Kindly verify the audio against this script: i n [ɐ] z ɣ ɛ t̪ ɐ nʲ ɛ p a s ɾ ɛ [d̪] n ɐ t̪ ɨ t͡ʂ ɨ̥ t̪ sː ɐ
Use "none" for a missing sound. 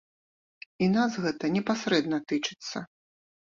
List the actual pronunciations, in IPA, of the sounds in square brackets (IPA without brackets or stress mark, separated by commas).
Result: a, d̪